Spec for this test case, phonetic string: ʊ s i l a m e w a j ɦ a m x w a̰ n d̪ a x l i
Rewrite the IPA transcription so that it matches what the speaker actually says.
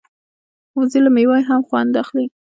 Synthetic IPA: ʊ z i l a m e w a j ɦ a m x w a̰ n d̪ a x l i